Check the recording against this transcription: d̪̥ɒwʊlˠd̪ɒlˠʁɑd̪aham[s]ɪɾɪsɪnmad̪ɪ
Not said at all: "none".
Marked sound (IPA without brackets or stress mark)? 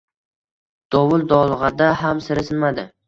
s